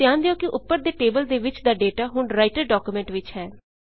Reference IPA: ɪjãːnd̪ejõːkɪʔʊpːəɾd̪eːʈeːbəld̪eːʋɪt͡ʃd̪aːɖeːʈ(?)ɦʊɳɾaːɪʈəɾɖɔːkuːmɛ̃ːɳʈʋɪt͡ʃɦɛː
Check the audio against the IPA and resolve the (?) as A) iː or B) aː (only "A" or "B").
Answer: B